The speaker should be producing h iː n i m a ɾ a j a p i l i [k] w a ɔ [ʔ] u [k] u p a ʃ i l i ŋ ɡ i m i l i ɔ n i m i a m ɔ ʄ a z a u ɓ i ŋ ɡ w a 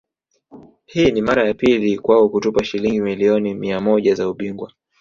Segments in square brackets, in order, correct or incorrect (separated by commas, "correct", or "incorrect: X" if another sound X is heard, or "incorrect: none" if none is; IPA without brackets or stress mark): correct, incorrect: k, incorrect: t